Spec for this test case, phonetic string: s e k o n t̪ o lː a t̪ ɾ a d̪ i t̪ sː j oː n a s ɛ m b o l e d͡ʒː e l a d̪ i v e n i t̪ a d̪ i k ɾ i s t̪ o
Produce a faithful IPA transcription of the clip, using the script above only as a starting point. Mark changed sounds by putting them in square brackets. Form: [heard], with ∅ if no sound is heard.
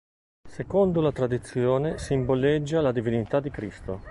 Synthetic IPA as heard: s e k o n [d̪] o [l] a t̪ ɾ a d̪ i t̪ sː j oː n [e] s [i] m b o l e d͡ʒː [a] l a d̪ i v [i] n i t̪ a d̪ i k ɾ i s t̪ o

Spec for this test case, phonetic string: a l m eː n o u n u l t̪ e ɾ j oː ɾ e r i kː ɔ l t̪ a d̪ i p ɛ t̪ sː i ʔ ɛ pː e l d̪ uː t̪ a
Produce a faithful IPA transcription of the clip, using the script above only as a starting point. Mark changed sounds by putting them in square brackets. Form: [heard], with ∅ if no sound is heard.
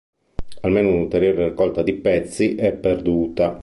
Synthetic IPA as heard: a l m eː n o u n u l t̪ e ɾ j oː ɾ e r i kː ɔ l t̪ a d̪ i p ɛ t̪ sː i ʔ ɛ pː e [r] d̪ uː t̪ a

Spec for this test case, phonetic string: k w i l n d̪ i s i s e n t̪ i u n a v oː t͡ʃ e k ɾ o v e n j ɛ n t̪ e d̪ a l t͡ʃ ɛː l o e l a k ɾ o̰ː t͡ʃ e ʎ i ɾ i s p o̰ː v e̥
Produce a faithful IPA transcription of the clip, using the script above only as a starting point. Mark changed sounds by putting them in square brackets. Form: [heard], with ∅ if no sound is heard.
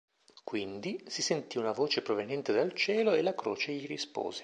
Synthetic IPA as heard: k w i [∅] n d̪ i s i s e n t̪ i u n a v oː t͡ʃ e [p] ɾ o v e n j ɛ n t̪ e d̪ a l t͡ʃ ɛː l o e l a k ɾ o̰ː t͡ʃ e ʎ i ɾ i s p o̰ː [z] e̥

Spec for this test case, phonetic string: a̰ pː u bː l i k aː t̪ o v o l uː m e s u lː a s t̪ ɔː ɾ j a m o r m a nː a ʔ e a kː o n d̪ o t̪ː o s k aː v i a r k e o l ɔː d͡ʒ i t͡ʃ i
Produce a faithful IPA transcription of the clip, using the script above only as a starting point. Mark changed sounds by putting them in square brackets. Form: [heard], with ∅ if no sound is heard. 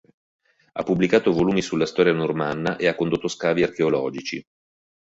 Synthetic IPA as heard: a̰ pː u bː l i k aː t̪ o v o l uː m [i] s u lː a s t̪ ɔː ɾ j a [n] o r m a nː a ʔ e a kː o n d̪ o t̪ː o s k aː v i a r k e o l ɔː d͡ʒ i t͡ʃ i

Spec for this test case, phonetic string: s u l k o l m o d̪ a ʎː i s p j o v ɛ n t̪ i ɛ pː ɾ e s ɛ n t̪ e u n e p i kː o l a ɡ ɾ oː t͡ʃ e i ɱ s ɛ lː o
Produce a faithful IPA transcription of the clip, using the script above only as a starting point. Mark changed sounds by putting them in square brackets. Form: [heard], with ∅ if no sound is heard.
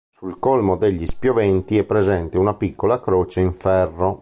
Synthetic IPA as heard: s u l k o l m o d̪ [e] ʎː i s p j o v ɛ n t̪ i ɛ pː ɾ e [z] ɛ n t̪ e u n [a] p i kː o l a [k] ɾ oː t͡ʃ e i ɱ [f] ɛ [rː] o

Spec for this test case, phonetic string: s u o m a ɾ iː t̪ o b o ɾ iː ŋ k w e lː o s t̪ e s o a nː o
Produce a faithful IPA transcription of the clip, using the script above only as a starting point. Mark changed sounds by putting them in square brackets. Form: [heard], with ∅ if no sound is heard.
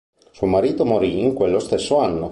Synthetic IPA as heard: s u o m a ɾ iː t̪ o [m] o ɾ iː ŋ k w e lː o s t̪ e [sː] o a nː o

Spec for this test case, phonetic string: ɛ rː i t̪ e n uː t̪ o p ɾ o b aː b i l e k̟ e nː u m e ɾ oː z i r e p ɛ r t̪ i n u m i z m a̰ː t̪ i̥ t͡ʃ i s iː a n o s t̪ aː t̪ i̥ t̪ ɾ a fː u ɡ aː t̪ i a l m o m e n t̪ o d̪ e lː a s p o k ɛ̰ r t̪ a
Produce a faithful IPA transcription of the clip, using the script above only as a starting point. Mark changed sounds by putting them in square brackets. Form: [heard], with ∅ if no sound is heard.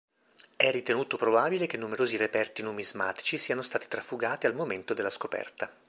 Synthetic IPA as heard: ɛ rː i t̪ e n uː t̪ o p ɾ o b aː b i l e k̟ e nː u m e ɾ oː z i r e p ɛ r t̪ i n u m i z m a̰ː t̪ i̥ t͡ʃ i s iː a n o s t̪ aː t̪ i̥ t̪ ɾ a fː u ɡ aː t̪ i a l m o m e n t̪ o d̪ e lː a s [k] o [p] ɛ̰ r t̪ a

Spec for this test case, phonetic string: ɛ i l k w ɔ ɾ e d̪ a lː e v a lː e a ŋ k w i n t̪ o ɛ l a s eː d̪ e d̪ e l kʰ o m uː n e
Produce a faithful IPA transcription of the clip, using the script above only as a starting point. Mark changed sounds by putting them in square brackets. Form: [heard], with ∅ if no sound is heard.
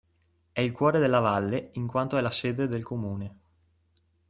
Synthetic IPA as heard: ɛ i l k w [ɔː] ɾ e d̪ [e] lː [a] v a lː e [i] ŋ k w [a] n t̪ o ɛ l a s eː d̪ e d̪ e l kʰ o m uː n e

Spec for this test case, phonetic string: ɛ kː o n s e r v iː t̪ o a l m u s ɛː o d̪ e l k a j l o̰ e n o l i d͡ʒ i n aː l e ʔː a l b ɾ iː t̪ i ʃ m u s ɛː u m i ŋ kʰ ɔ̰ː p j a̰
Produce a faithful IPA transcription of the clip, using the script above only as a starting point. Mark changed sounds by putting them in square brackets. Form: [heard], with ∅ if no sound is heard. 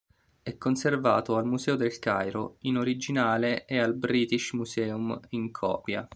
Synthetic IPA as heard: ɛ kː o n s e r v [aː] t̪ o a l m u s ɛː o d̪ e l k a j [ɾ] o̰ [i] n o [ɾ] i d͡ʒ i n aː l e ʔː a l b ɾ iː t̪ i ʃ m u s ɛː u m i ŋ kʰ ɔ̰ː p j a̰

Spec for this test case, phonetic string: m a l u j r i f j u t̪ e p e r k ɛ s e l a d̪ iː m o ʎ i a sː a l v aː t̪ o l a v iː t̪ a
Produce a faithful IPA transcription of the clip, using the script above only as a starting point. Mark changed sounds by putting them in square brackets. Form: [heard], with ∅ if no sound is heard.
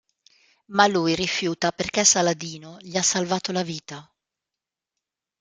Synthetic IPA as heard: m a l u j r i f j [uː] t̪ [a] p e r k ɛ s [a] l a d̪ iː [n] o ʎ i a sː a l v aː t̪ o l a v iː t̪ a

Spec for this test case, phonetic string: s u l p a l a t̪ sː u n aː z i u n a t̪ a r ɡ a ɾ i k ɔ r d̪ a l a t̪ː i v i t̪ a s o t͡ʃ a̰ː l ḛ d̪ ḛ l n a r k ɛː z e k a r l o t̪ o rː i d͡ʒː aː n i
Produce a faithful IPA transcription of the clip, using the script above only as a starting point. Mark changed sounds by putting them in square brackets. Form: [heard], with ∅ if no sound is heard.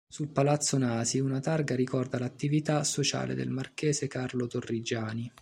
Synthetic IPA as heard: s u l p a l a t̪ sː [o] n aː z i u n a t̪ a r ɡ a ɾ i k ɔ r d̪ a l a t̪ː i v i t̪ a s o t͡ʃ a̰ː l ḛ d̪ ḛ l [m] a r k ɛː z e k a r l o t̪ o rː i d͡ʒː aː n i

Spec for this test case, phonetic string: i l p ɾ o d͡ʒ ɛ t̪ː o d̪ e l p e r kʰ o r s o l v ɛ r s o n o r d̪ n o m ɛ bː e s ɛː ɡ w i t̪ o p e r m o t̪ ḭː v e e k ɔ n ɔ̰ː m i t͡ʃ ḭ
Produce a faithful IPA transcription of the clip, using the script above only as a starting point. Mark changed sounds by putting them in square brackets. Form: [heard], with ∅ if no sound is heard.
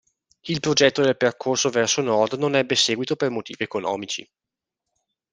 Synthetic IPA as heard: i l p ɾ o d͡ʒ ɛ t̪ː o d̪ e l p e r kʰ o r s o [∅] v ɛ r s o n [ɔ] r d̪ n o [n] ɛ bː e s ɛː ɡ w i t̪ o p e r m o t̪ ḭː v [i] e k [o] n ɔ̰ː m i t͡ʃ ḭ

